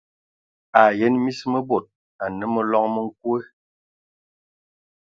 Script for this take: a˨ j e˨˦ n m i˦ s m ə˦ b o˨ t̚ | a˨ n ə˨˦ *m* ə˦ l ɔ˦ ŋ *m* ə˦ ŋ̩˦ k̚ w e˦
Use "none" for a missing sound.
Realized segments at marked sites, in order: m, m

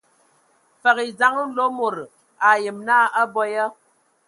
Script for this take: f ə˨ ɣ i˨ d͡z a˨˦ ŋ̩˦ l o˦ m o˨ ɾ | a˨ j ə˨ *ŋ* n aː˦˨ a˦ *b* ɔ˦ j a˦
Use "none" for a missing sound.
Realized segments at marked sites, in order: m, b

